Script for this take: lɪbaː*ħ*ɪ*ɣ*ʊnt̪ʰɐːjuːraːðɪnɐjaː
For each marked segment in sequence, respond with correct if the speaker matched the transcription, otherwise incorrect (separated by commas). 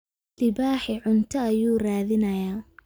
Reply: correct, incorrect